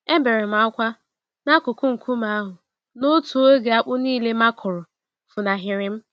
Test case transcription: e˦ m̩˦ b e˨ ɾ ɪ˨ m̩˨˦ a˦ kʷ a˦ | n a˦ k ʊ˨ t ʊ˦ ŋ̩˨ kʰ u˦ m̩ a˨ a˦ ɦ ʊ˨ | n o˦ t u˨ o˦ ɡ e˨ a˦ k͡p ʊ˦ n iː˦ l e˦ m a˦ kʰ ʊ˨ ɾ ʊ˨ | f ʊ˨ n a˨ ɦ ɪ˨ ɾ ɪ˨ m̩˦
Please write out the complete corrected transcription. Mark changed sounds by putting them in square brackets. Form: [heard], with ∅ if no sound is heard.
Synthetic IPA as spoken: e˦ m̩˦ b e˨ ɾ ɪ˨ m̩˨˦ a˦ kʷ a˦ | n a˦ k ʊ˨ [k] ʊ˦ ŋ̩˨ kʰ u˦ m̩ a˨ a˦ ɦ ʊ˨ | n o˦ t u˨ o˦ ɡ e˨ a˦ k͡p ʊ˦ n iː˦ l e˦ m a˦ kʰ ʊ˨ ɾ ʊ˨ | f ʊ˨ n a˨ ɦ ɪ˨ ɾ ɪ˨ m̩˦